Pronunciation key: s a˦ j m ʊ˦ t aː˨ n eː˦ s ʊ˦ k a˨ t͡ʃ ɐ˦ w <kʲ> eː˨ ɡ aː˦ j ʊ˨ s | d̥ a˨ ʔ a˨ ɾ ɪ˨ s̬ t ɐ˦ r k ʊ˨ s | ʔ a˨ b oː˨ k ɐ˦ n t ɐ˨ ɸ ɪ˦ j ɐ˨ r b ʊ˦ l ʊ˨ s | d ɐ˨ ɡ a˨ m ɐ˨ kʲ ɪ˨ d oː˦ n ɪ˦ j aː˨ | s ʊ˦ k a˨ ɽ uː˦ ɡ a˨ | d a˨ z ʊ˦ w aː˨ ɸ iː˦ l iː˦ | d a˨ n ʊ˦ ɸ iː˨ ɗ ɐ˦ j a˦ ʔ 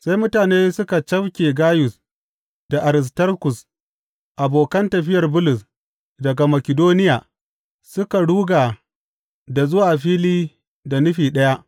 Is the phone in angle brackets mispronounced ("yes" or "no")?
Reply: no